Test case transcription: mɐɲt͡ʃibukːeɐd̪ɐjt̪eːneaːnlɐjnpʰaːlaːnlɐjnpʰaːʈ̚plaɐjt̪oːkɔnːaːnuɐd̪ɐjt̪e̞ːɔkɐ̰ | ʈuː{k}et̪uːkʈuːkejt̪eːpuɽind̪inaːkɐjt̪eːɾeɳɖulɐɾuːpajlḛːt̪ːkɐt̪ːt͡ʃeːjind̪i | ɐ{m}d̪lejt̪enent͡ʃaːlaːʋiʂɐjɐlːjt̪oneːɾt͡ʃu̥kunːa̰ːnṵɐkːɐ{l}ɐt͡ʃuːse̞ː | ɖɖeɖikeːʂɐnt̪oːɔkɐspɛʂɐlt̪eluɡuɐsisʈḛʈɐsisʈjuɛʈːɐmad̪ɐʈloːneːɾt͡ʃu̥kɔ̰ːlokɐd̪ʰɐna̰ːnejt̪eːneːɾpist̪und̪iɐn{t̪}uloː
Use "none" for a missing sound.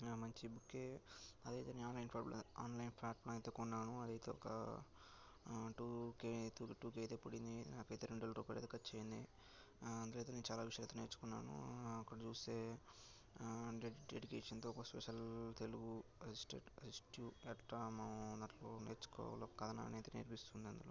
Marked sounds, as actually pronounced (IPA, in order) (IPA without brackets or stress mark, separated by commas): k, n, ɽ, d̪